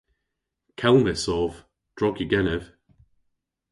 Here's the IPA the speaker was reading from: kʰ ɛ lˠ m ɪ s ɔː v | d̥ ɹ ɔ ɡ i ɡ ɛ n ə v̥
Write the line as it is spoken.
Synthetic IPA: kʰ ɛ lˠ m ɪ s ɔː v | d̥ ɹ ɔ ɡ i ɡ ɛ n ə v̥